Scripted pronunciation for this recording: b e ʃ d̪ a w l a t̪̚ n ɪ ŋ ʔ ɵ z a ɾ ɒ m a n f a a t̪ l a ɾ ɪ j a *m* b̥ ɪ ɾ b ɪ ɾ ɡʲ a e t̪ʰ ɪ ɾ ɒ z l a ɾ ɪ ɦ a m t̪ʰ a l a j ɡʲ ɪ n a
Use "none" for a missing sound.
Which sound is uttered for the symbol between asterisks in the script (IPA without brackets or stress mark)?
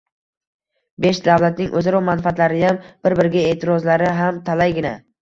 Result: m